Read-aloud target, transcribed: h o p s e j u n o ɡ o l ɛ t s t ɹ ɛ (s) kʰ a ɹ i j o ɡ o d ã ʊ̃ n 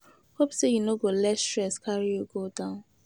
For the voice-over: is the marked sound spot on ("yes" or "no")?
yes